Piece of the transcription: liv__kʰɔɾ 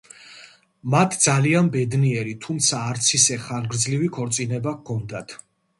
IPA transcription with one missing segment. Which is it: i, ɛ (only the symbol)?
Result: i